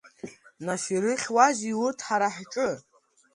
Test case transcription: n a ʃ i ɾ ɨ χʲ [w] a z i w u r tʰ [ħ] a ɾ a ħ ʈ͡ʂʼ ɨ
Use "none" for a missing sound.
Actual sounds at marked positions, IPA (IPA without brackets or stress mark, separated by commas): w, ħ